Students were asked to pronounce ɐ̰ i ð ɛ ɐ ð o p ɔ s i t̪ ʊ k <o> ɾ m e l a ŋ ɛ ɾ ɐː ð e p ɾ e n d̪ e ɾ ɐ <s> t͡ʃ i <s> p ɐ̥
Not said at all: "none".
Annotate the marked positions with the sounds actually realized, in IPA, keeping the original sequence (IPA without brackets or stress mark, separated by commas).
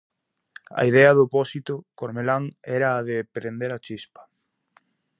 o, none, s